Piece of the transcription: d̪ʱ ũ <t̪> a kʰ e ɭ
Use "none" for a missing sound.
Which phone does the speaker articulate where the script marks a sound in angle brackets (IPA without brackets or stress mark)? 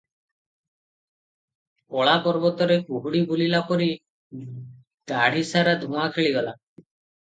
none